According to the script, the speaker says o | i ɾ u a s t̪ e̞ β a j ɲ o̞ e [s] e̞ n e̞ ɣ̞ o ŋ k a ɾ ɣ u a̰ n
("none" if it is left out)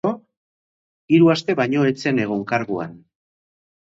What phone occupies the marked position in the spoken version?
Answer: t͡s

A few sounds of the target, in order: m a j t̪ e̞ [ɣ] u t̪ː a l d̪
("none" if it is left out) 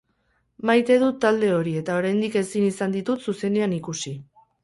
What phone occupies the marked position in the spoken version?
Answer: ð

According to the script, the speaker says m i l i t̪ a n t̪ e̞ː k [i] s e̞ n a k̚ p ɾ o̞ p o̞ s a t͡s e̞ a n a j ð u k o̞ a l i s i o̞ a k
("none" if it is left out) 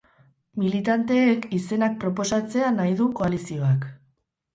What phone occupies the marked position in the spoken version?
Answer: i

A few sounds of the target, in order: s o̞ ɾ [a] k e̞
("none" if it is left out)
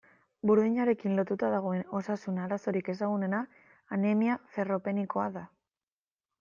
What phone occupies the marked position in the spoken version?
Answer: i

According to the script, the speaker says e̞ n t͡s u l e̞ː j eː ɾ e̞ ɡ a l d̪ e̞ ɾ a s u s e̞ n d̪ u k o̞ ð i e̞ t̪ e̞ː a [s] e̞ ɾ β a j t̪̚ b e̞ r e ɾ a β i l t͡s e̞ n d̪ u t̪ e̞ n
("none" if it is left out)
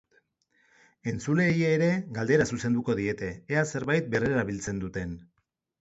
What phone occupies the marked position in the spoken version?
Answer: s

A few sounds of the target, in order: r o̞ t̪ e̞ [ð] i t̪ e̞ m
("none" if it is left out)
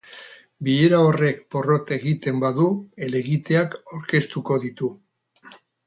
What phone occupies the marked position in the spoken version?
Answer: ɣ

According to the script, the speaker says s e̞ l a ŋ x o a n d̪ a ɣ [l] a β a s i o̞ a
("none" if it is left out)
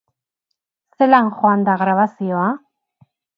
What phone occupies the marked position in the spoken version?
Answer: ɾ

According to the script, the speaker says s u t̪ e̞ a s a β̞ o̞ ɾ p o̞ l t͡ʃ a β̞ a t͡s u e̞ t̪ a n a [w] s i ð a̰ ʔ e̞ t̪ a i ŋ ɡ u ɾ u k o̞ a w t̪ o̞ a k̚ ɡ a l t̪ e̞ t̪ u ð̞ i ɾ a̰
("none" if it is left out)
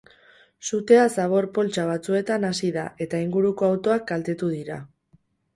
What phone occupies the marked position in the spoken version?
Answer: none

